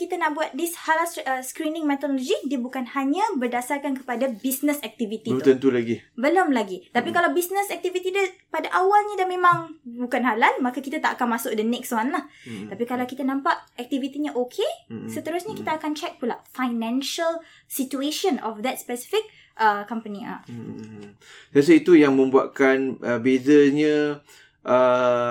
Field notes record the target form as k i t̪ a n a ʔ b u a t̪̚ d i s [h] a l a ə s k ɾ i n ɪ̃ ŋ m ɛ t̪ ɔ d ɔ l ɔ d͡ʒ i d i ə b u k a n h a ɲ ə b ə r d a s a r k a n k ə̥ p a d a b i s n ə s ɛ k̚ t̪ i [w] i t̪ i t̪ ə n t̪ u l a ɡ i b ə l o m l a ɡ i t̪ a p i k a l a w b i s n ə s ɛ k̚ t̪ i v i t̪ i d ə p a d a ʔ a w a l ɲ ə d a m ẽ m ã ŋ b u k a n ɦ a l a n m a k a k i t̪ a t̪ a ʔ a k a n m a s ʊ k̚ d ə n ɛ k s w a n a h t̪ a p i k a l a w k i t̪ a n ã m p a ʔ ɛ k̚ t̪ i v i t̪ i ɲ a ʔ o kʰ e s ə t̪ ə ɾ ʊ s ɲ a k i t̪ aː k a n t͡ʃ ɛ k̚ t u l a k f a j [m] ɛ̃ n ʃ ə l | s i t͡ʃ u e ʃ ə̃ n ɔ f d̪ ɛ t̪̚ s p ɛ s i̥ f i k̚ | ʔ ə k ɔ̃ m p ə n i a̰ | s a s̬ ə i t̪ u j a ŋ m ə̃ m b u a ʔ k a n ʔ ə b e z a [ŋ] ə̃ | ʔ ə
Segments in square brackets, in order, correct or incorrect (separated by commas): correct, incorrect, incorrect, incorrect